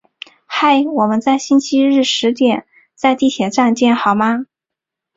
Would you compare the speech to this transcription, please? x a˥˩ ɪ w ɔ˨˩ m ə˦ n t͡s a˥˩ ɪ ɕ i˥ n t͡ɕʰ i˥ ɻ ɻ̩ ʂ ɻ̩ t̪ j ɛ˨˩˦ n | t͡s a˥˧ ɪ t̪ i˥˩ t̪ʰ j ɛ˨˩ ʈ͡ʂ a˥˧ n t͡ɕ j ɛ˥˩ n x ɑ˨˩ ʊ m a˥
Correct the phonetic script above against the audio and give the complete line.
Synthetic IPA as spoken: x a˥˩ ɪ w ɔ˨˩ m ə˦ n t͡s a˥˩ ɪ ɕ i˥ n t͡ɕʰ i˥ ɻ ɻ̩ ʂ ɻ̩ t̪ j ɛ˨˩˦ n | t͡s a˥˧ ɪ t̪ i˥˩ t̪ʰ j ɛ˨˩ ʈ͡ʂ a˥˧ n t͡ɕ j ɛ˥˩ n x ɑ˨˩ ʊ m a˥